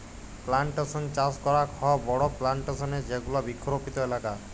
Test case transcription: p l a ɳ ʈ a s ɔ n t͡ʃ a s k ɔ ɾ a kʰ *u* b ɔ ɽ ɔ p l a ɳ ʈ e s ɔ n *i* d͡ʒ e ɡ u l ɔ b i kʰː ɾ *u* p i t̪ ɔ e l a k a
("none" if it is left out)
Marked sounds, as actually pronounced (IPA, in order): ɔ, e, o

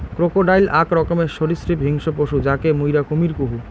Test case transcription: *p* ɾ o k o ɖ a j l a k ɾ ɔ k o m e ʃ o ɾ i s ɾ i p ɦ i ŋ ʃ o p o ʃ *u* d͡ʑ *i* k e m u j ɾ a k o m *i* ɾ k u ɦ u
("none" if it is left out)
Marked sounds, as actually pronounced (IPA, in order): k, u, a, i

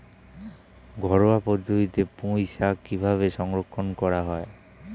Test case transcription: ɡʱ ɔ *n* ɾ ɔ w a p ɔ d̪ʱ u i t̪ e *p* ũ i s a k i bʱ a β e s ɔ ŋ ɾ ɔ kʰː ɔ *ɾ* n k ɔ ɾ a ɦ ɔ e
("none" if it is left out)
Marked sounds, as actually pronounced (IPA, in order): none, p, none

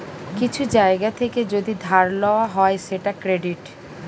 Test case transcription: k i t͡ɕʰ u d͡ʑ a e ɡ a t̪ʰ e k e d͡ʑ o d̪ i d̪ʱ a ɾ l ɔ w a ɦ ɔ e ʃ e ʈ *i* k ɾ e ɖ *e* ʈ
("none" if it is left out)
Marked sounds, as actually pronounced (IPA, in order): a, i

